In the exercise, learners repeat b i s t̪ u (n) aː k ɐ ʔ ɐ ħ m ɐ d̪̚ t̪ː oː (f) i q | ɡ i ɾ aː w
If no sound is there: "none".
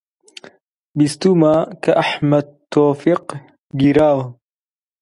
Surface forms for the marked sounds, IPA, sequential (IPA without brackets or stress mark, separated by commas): m, f